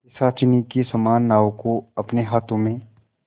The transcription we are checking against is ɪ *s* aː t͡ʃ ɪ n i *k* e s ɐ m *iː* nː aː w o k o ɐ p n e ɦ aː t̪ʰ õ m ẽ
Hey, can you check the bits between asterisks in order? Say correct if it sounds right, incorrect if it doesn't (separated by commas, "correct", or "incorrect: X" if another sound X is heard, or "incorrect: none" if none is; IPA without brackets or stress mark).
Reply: correct, correct, incorrect: aː